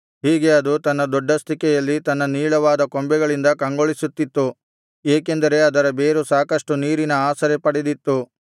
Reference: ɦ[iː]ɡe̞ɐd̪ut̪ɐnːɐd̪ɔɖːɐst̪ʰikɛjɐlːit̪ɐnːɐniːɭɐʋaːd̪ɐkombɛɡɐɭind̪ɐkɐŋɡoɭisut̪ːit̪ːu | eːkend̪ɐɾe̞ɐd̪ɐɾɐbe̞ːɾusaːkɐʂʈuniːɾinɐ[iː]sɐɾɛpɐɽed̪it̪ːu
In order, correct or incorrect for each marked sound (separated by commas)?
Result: correct, incorrect